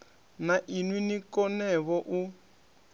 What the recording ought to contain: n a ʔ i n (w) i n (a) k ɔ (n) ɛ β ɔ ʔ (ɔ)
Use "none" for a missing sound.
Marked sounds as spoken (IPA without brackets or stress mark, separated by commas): w, i, n, u